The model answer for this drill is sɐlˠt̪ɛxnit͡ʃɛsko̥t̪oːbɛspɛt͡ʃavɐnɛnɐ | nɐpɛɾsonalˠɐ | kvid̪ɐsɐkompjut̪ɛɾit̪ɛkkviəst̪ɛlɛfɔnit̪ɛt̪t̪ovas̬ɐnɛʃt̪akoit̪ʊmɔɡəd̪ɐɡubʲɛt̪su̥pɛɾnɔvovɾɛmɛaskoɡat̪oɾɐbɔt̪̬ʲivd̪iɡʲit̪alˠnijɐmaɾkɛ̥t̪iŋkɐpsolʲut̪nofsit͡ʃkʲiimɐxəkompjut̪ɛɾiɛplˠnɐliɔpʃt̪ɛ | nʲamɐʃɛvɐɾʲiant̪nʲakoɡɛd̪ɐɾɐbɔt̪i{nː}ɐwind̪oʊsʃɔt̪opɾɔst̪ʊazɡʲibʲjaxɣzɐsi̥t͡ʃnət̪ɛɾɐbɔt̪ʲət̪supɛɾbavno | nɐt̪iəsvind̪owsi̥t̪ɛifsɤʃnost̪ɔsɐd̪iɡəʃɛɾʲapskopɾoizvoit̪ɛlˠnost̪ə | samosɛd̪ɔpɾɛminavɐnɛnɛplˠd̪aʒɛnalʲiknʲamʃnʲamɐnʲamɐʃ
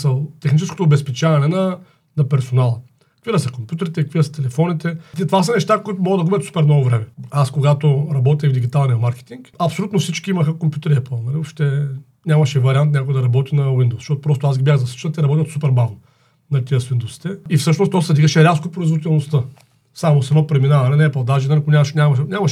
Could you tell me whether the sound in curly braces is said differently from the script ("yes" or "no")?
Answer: yes